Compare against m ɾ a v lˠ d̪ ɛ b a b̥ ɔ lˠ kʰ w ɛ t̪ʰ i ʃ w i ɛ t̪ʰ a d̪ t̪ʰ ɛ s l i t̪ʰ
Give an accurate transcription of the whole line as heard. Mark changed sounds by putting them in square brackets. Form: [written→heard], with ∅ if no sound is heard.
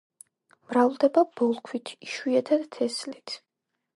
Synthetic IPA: m ɾ a v lˠ d̪ ɛ b a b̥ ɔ lˠ kʰ w [ɛ→i] t̪ʰ i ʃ w i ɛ t̪ʰ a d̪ t̪ʰ ɛ s l i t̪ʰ